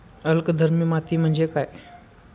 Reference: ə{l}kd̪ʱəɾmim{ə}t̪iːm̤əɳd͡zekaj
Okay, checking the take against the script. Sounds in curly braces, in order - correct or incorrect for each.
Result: correct, incorrect: a

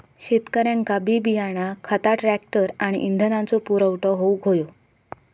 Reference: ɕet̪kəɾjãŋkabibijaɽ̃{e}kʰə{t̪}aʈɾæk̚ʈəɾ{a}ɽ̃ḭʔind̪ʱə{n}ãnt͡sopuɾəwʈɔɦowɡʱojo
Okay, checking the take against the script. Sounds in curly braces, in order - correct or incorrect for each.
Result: incorrect: a, correct, correct, correct

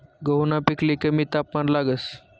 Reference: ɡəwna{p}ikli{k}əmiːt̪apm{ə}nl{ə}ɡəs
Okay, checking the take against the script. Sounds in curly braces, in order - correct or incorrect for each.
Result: correct, correct, incorrect: a, incorrect: a

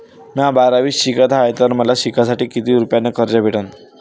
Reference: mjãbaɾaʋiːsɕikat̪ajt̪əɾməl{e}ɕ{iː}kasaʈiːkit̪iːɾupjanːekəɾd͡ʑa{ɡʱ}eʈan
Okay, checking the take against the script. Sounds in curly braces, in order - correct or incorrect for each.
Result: incorrect: a, incorrect: i, incorrect: bʱ

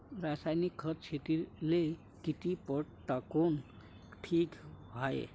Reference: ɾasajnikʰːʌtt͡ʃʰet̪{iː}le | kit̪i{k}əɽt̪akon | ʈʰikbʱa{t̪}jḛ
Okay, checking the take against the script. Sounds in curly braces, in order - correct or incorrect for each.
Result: incorrect: i, incorrect: p, incorrect: none

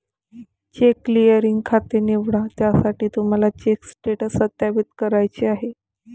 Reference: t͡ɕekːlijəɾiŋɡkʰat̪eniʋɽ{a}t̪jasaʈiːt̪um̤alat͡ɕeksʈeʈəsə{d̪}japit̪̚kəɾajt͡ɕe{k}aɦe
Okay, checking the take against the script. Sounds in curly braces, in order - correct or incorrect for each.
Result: correct, incorrect: t̪, incorrect: none

